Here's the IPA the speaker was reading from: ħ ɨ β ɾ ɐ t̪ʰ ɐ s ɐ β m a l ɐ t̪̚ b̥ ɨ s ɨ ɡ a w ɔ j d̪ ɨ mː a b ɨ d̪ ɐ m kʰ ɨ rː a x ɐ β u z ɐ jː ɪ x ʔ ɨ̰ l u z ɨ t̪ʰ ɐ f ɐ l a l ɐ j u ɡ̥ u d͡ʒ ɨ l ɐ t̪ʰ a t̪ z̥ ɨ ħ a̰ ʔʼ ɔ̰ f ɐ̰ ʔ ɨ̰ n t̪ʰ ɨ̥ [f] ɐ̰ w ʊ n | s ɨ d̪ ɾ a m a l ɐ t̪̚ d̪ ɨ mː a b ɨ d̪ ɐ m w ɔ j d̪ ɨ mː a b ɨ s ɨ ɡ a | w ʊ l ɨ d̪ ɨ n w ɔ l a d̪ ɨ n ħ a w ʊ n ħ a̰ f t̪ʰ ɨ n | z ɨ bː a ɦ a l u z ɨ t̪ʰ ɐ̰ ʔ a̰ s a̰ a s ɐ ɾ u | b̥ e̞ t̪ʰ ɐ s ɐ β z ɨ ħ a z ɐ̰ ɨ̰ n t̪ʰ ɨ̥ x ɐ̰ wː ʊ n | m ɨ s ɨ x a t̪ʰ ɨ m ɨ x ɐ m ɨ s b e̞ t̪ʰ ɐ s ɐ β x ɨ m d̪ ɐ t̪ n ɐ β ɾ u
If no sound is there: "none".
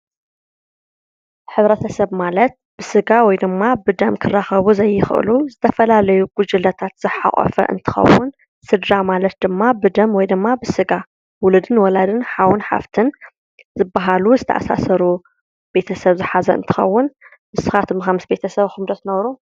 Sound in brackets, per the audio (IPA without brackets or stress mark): x